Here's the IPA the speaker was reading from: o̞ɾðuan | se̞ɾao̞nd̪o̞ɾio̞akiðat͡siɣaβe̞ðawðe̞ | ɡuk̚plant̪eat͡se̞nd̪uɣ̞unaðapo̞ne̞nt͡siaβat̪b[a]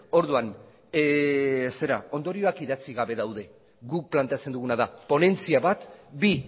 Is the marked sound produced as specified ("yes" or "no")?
no